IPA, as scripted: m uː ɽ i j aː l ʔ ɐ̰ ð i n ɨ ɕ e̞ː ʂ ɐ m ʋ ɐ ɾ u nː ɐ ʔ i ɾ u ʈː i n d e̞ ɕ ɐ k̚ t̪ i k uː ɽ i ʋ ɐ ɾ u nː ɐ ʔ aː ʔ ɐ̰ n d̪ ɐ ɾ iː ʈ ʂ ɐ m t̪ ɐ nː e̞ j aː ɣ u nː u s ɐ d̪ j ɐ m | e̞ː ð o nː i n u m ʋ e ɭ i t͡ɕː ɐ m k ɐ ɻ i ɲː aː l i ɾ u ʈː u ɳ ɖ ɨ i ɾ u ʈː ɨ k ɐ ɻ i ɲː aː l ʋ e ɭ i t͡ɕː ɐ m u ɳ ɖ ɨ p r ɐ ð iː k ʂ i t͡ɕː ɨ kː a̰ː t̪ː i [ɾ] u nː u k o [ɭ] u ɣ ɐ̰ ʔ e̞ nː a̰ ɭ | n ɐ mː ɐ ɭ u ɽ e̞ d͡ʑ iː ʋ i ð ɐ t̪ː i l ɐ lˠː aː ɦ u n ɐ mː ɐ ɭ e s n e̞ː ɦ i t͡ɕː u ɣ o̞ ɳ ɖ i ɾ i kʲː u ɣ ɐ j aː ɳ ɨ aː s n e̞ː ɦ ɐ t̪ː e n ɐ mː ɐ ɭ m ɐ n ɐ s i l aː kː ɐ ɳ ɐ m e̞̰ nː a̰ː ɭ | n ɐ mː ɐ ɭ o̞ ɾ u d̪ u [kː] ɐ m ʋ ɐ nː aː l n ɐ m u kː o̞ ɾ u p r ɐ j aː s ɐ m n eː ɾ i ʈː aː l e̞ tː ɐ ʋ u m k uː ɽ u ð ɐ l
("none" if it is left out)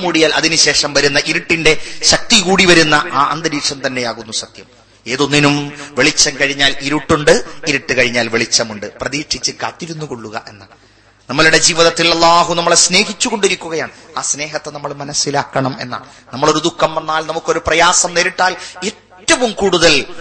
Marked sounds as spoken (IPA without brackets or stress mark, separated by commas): ɾ, ɭː, kː